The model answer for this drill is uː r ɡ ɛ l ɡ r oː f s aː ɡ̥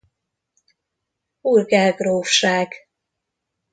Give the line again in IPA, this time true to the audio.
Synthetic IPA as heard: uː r ɡ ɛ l ɡ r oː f ʃ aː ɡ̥